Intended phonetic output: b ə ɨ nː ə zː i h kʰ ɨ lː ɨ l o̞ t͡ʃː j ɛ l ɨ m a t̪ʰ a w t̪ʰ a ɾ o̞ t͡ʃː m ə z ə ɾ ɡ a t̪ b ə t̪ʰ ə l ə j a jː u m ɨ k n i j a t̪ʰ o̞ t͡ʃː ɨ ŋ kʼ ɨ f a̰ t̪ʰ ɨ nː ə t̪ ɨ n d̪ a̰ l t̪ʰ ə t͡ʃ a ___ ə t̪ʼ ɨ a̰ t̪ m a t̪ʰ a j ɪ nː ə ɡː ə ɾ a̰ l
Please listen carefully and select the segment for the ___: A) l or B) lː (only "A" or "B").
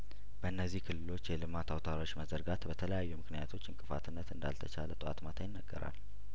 A